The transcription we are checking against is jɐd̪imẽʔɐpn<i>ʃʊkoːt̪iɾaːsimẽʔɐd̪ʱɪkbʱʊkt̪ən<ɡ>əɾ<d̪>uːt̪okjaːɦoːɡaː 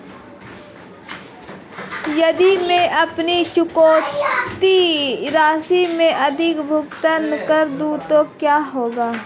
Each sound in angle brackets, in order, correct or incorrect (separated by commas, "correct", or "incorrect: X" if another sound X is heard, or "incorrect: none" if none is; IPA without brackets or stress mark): correct, incorrect: k, correct